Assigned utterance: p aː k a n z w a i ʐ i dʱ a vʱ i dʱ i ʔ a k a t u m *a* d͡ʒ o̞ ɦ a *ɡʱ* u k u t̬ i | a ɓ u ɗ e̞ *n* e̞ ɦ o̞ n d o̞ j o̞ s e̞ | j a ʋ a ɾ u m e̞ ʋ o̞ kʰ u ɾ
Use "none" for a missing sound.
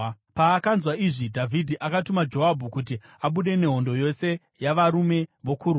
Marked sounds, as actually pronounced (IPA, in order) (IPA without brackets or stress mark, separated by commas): a, bʱ, n